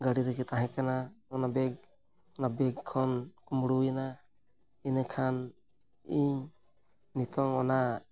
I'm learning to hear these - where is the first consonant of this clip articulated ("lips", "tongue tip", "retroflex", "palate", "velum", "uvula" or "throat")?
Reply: velum